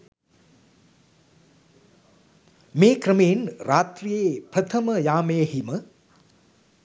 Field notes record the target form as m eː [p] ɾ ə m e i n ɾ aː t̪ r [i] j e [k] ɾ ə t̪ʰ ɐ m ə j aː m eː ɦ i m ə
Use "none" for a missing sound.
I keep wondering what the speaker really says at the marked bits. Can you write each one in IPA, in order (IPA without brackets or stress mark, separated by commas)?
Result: k, i, p